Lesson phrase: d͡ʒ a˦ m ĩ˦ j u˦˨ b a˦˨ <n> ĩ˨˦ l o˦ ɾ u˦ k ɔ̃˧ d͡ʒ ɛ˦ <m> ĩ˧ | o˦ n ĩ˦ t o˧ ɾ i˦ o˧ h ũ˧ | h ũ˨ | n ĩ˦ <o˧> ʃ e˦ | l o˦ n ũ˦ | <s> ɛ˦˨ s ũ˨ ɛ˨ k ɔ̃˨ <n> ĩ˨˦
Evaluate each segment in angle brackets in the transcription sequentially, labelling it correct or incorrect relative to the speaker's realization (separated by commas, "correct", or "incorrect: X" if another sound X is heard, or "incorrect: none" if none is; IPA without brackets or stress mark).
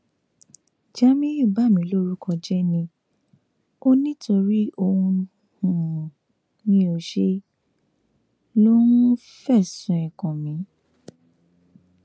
incorrect: m, incorrect: n, correct, incorrect: f, incorrect: m